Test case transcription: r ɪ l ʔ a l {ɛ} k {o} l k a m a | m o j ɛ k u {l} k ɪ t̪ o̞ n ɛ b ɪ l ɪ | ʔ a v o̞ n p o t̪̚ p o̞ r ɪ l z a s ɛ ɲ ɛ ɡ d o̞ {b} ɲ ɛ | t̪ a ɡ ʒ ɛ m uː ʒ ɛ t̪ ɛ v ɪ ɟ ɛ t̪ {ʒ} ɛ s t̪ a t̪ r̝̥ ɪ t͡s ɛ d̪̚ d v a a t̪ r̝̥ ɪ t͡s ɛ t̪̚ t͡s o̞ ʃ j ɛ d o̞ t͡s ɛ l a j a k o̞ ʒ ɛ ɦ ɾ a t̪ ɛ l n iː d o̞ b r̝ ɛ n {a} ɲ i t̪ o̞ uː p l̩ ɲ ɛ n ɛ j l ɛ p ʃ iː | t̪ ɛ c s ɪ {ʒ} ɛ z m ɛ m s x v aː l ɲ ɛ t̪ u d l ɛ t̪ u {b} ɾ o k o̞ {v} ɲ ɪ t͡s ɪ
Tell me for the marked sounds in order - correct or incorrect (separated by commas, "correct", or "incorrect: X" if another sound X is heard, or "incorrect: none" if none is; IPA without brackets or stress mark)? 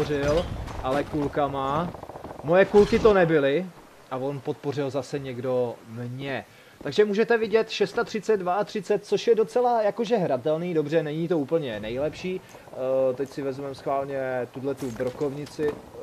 correct, incorrect: u, correct, incorrect: m, incorrect: ʃ, incorrect: ɛ, incorrect: v, correct, correct